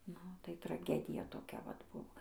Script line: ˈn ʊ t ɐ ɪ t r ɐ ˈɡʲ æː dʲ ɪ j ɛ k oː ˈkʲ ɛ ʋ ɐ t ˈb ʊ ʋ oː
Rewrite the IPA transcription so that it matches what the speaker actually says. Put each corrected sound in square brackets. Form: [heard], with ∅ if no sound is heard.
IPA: ˈn ʊ t ɐ ɪ t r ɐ ˈɡʲ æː dʲ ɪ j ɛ [t] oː ˈkʲ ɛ ʋ ɐ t ˈb ʊ ʋ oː